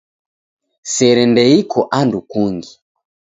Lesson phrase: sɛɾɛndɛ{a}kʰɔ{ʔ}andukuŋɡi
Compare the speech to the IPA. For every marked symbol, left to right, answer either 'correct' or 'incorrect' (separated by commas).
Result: incorrect, correct